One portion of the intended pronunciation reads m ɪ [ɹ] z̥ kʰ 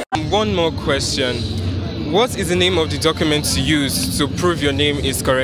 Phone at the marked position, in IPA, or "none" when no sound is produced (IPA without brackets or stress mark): none